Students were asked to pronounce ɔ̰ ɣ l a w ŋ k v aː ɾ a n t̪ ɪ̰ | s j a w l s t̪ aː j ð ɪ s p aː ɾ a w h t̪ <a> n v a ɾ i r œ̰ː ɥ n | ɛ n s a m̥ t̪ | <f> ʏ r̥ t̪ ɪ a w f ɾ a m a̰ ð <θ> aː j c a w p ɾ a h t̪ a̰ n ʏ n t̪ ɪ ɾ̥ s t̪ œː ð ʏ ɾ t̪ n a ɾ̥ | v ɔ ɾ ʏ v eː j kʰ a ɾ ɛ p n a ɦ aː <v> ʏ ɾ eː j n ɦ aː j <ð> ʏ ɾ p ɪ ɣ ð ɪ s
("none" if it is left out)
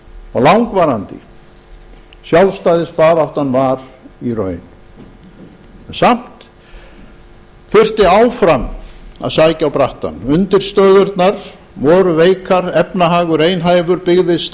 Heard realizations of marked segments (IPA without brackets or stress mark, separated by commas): a, θ, s, ɣ, v